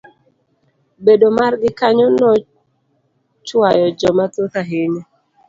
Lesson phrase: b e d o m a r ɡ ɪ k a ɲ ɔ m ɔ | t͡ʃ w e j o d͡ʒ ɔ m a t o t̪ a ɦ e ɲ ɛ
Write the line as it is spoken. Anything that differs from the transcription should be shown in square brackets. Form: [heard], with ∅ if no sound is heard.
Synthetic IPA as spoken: b e d o m a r ɡ ɪ k a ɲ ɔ [n] ɔ | t͡ʃ w [a] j [ɔ] d͡ʒ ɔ m a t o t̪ a ɦ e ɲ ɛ

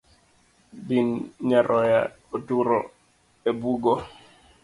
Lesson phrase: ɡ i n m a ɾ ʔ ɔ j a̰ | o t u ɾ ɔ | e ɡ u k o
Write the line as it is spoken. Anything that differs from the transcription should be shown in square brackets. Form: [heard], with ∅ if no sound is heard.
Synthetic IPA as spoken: [b] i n [ɲ] a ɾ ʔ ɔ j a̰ | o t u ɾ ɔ | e [b] u [ɡ] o

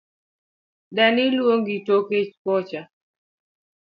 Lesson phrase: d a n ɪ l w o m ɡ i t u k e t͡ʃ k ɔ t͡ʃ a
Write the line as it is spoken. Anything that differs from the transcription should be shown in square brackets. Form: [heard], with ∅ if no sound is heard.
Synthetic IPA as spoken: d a n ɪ l w o [ŋ] ɡ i t [o] k e t͡ʃ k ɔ t͡ʃ a

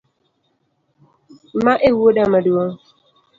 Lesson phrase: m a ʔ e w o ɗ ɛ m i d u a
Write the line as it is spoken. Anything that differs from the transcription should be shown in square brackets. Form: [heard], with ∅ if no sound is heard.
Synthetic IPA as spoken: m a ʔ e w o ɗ [a] m [a] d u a

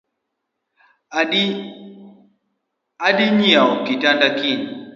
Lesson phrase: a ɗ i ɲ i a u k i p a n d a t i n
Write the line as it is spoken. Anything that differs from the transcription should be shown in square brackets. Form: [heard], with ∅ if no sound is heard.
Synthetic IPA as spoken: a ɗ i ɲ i a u k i [t] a n d a [k] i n

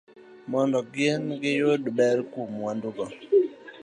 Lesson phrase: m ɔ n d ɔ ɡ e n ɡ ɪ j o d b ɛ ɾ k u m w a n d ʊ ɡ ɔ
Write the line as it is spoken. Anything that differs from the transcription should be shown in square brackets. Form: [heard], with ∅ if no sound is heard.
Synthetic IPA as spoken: m ɔ n d ɔ ɡ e n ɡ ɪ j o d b ɛ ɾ k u m w a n d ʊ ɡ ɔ

